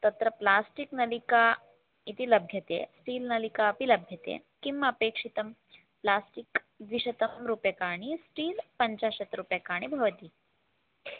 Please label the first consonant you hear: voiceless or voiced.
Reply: voiceless